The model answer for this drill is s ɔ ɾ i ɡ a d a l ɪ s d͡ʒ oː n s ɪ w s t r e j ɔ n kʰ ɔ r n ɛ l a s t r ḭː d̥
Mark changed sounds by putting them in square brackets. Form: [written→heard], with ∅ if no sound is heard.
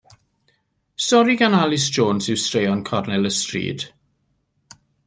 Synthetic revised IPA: s ɔ ɾ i ɡ a [d→n] a l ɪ s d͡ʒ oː n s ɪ w s t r e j ɔ n kʰ ɔ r n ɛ l [a→ə] s t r ḭː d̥

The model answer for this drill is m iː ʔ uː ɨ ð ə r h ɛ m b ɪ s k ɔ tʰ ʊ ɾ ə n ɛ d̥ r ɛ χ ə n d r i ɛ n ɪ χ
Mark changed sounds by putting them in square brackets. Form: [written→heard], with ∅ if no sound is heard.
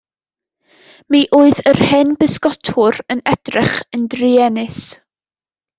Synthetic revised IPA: m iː ʔ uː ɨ ð ə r h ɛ [m→n] b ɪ s k ɔ tʰ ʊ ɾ ə n ɛ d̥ r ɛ χ ə n d r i ɛ n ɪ [χ→s]

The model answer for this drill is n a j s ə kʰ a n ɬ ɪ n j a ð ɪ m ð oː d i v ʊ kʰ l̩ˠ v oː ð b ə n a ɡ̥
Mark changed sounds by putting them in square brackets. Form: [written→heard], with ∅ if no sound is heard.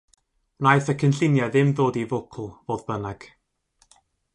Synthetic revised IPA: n a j [s→θ] ə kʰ [a→ə] n ɬ ɪ n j a ð ɪ m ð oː d i v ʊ kʰ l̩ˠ v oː ð b ə n a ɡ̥

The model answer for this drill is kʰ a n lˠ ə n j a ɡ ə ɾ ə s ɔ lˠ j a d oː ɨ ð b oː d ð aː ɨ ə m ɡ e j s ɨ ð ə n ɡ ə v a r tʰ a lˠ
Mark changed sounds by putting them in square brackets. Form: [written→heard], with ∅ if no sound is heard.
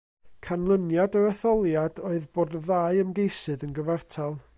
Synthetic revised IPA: kʰ a n lˠ ə n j a [ɡ→d] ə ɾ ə [s→θ] ɔ lˠ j a d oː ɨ ð b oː d ð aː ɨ ə m ɡ e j s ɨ ð ə n ɡ ə v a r tʰ a lˠ

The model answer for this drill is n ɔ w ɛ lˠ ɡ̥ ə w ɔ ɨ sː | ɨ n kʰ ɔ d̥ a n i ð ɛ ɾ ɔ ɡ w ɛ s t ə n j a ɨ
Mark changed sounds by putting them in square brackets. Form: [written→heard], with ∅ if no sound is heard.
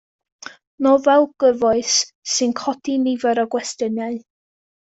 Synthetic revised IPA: n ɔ [w→v] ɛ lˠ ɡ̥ ə [w→v] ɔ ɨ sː | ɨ n kʰ ɔ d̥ [a→i] n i [ð→v] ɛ ɾ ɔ ɡ w ɛ s t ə n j a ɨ

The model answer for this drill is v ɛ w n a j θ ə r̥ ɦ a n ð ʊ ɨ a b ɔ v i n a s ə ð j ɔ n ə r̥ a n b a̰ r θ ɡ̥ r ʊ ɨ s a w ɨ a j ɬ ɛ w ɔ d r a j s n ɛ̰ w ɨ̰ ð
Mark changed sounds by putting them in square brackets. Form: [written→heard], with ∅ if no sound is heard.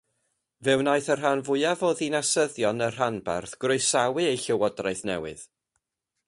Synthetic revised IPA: v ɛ w n a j θ ə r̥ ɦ a n [ð→v] ʊ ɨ a [b→v] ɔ [v→ð] i n a s ə ð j ɔ n ə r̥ a n b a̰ r θ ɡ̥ r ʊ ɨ s a w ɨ [a→e] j ɬ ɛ w ɔ d r a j [s→θ] n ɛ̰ w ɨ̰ ð

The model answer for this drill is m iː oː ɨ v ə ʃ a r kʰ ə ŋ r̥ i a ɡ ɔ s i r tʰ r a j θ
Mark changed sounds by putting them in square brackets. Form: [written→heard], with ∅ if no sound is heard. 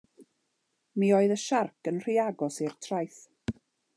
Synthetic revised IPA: m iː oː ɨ [v→ð] ə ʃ a r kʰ ə [ŋ→n] r̥ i a ɡ ɔ s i r tʰ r a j θ

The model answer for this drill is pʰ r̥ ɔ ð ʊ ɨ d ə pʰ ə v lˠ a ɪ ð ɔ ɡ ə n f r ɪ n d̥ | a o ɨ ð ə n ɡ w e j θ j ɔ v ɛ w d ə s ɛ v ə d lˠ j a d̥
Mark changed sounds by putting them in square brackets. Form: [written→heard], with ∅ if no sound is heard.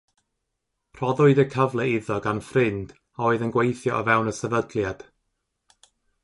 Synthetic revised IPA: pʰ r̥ ɔ ð ʊ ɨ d ə [pʰ→kʰ] ə v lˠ [a→ɛ] ɪ ð ɔ ɡ [ə→a] n f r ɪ n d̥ | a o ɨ ð ə n ɡ w e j θ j ɔ v ɛ w [d→n] ə s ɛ v ə d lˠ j a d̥

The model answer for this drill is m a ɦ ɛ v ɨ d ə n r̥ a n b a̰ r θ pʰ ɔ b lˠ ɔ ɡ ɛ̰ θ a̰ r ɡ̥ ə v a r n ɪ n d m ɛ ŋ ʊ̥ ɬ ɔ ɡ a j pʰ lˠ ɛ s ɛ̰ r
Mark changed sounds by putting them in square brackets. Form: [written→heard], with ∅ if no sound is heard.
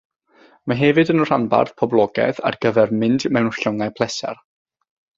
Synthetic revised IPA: m a ɦ ɛ v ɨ d ə n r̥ a n b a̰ r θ pʰ ɔ b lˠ ɔ ɡ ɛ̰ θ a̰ r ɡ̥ ə v [a→ɛ] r [n→m] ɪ n d m ɛ [ŋ→n] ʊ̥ ɬ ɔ [ɡ→ŋ] a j pʰ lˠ ɛ s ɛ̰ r

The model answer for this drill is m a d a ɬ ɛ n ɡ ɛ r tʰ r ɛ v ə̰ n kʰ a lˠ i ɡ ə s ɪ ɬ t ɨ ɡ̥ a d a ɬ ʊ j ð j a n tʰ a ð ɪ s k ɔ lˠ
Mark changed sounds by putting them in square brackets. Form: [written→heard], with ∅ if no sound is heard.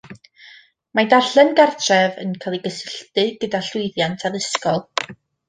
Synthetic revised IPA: m a d a ɬ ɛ n ɡ [ɛ→a] r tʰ r ɛ v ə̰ n kʰ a lˠ i ɡ ə s ɪ ɬ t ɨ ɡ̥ [a→ə] d a ɬ ʊ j ð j a n tʰ a ð ɪ s k ɔ lˠ

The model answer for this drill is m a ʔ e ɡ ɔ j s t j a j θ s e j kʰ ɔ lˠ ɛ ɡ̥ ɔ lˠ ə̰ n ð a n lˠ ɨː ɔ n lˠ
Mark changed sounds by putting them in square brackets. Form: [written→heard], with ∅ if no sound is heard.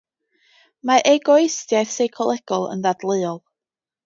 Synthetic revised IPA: m a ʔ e ɡ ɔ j s t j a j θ s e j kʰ ɔ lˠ ɛ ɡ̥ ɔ lˠ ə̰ n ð a [n→d] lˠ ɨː ɔ [n→∅] lˠ

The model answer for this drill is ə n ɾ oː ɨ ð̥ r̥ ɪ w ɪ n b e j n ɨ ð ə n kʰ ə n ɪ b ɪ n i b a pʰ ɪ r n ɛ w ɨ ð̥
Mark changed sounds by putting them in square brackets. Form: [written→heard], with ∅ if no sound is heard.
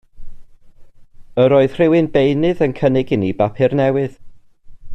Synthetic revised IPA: ə [n→∅] ɾ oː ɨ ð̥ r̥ ɪ w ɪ n b e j n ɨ ð ə n kʰ ə n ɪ [b→ɡ] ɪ n i b a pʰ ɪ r n ɛ w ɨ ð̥

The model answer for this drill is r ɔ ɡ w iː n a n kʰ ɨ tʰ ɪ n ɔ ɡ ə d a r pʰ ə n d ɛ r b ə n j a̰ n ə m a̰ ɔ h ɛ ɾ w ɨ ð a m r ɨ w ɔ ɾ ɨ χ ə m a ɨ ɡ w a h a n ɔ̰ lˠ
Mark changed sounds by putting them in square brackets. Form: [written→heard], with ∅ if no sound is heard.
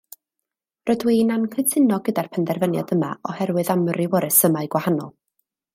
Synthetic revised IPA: r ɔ [ɡ→d] w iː n a n kʰ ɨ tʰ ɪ n ɔ ɡ ə d a r pʰ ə n d ɛ r [b→v] ə n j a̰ [n→d] ə m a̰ ɔ h ɛ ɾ w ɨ ð a m r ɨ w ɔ ɾ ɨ [χ→s] ə m a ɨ ɡ w a h a n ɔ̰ lˠ

